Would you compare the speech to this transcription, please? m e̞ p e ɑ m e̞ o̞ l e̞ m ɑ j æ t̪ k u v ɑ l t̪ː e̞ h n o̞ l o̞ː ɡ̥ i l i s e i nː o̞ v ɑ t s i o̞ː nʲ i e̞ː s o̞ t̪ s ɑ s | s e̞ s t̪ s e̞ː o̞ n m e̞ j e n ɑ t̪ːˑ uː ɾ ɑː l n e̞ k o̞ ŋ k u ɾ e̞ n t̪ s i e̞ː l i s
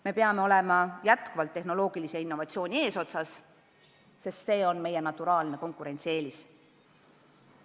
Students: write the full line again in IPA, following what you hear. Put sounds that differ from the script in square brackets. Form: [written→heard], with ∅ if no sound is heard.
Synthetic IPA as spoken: m e̞ p e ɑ m e̞ o̞ l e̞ m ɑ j æ t̪ k u v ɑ l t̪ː e̞ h n o̞ l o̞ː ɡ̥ i l i s e i nː o̞ v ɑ t s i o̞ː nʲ i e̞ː s o̞ t̪ s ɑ s | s e̞ s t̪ s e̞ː o̞ n m e̞ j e n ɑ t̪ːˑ [uː→u] ɾ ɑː l n e̞ k o̞ ŋ k u ɾ e̞ n t̪ s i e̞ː l i s